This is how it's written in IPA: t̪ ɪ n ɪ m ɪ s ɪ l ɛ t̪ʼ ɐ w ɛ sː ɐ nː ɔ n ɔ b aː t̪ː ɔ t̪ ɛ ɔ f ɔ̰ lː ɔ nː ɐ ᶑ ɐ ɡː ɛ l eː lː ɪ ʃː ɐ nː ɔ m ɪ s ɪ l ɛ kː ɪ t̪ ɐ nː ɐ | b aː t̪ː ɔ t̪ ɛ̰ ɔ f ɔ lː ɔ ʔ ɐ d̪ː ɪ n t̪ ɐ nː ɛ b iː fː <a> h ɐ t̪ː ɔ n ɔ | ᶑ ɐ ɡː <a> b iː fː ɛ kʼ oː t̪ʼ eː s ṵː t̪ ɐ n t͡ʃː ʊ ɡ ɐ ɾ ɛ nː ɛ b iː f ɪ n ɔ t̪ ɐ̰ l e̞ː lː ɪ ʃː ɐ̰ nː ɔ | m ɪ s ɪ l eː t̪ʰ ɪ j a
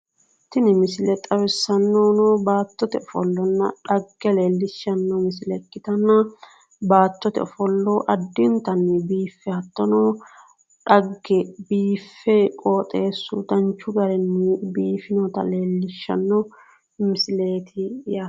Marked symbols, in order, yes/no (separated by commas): no, no